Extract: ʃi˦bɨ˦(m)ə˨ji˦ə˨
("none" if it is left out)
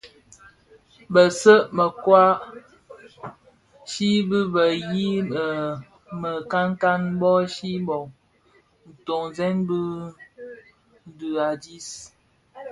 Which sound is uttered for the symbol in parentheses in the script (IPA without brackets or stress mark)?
b